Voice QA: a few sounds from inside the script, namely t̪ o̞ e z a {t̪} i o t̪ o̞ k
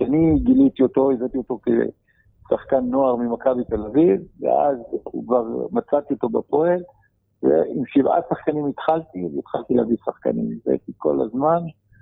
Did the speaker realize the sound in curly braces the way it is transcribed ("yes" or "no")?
yes